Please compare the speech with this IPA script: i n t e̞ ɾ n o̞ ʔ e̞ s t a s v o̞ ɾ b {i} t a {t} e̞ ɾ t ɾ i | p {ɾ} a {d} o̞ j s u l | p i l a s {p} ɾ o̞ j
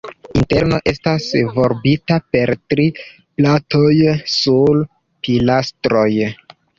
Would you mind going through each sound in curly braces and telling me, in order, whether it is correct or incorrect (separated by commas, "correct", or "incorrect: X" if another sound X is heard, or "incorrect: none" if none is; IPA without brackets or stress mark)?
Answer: correct, incorrect: p, incorrect: l, incorrect: t, incorrect: t